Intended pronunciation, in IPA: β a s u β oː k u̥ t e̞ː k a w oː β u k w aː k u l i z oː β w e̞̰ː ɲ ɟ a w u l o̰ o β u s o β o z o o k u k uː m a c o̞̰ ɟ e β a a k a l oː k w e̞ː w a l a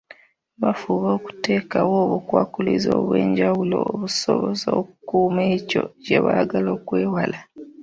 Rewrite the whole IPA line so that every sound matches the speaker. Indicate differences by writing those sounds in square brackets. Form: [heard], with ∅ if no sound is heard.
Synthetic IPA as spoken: β a [f] u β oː k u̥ t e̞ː k a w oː β u k w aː k u l i z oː β w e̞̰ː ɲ ɟ a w u l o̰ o β u s o β o z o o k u k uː m [e] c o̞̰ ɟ e β a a [ɡ] a l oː k w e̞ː w a l a